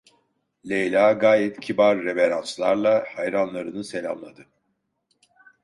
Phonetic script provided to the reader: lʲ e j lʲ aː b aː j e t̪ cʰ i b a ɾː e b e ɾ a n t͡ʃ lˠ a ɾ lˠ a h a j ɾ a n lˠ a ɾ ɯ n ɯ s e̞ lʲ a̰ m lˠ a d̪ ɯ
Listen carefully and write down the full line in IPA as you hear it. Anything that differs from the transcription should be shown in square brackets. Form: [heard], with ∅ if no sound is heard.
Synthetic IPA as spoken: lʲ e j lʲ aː [ɡ] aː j [ɛ] t̪ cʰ i b a ɾː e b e ɾ a n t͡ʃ lˠ a ɾ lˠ a h a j ɾ a n lˠ a ɾ ɯ n ɯ s e̞ lʲ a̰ m lˠ a d̪ ɯ